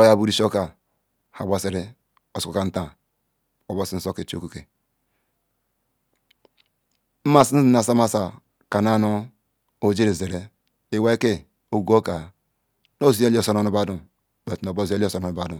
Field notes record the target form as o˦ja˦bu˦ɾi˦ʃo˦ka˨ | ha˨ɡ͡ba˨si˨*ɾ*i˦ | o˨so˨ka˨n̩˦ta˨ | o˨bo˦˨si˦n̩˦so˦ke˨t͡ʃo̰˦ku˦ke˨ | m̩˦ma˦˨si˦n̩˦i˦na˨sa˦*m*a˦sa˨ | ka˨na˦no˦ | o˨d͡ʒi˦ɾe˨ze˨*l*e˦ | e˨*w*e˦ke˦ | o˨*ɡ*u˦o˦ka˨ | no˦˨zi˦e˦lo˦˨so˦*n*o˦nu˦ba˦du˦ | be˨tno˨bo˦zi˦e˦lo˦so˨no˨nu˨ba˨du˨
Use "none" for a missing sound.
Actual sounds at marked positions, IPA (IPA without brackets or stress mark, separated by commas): ɾ, m, ɾ, w, ɡ, n